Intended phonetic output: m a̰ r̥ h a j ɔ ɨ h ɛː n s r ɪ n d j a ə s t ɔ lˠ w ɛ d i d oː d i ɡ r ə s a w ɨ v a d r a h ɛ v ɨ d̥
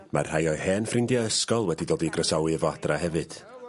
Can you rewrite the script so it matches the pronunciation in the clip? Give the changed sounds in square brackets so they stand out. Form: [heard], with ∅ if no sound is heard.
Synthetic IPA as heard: m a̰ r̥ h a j ɔ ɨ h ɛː n [f] r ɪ n d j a ə s [k] ɔ lˠ w ɛ d i d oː d i ɡ r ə s a w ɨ v a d r a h ɛ v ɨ d̥